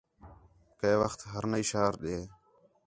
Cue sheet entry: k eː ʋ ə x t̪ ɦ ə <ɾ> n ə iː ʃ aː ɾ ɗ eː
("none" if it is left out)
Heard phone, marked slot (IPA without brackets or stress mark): ɾ